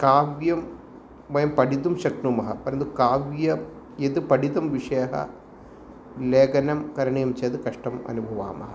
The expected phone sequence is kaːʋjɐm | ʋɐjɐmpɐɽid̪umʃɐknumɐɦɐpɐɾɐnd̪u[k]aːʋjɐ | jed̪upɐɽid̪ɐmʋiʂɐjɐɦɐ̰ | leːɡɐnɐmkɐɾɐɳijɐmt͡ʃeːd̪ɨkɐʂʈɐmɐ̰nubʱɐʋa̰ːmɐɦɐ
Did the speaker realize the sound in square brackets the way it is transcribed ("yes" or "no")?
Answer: yes